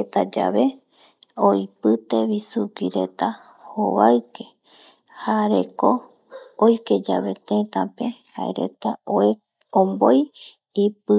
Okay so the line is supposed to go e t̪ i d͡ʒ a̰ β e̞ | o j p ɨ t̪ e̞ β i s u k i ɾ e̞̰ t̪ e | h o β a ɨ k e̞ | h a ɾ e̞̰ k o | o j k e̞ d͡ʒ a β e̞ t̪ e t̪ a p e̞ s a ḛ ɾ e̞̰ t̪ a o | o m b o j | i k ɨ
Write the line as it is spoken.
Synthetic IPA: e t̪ a d͡ʒ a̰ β e̞ | o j p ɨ t̪ e̞ β i s u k i ɾ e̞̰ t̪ a | h o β a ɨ k e̞ | h a ɾ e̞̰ k o | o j k e̞ d͡ʒ a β e̞ t̪ e t̪ a p e̞ h a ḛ ɾ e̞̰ t̪ a o | o m b o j | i p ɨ